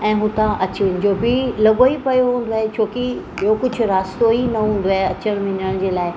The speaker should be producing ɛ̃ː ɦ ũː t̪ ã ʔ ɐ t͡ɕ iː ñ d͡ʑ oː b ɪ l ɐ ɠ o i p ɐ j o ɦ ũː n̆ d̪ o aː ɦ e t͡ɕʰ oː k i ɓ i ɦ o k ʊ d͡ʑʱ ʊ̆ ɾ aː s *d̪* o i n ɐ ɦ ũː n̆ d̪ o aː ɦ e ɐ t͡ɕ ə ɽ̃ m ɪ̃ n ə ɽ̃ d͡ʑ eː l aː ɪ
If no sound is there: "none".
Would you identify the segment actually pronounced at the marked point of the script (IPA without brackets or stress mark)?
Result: t̪